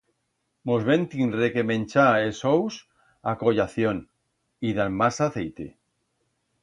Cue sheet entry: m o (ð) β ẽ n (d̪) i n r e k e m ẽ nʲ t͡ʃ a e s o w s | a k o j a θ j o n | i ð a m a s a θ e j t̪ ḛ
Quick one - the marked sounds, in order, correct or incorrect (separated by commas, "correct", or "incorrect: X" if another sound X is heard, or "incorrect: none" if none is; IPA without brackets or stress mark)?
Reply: incorrect: z, incorrect: t̪